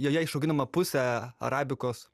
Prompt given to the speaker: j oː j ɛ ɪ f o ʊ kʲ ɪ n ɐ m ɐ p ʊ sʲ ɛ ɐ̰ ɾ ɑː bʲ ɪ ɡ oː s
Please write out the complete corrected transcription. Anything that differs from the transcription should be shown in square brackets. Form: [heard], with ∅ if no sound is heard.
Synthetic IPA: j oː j ɛ ɪ [ʃ] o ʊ [ɡʲ] ɪ n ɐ m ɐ p ʊ sʲ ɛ ɐ̰ ɾ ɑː bʲ ɪ [k] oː s

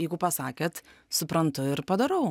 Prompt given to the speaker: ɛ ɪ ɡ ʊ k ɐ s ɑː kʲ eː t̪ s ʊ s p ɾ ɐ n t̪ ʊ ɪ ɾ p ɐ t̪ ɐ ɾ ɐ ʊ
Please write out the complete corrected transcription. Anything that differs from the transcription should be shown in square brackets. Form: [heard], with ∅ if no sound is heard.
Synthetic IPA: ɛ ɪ ɡ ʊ [p] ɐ s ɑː kʲ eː t̪ s ʊ [∅] p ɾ ɐ n t̪ ʊ ɪ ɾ p ɐ [d̪] ɐ ɾ ɐ ʊ

